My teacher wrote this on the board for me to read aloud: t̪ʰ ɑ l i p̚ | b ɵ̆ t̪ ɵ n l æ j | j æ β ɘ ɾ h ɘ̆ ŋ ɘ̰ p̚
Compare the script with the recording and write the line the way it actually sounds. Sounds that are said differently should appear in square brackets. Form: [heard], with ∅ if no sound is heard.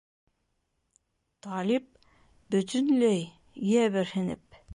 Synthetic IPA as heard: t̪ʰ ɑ l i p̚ | b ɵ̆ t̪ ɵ n l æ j | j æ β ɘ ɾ h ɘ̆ [n] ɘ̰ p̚